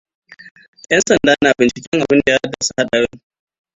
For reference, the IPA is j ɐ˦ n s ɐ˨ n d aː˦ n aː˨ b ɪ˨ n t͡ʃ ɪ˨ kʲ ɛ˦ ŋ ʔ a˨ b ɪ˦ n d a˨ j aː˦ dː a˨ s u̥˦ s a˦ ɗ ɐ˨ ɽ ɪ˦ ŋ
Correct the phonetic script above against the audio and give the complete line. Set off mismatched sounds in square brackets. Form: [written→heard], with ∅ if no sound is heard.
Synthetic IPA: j ɐ˦ n s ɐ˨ n d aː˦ n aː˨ b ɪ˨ n t͡ʃ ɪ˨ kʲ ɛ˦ ŋ ʔ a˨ b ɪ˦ n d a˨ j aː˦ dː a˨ s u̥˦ [s→h] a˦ ɗ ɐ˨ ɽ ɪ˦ ŋ